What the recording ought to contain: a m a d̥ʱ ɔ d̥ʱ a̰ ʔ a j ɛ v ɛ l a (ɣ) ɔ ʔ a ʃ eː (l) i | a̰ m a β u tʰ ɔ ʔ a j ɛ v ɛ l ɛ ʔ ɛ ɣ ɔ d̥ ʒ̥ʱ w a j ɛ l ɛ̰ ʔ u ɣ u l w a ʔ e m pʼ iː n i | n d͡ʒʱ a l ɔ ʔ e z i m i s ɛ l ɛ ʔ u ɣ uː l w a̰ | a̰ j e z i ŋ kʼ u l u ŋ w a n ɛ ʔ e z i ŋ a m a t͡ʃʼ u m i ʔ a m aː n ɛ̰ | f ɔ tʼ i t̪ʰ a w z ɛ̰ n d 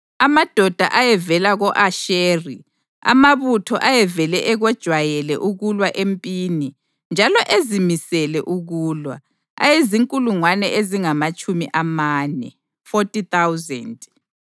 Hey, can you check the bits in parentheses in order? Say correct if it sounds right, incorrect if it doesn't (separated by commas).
correct, incorrect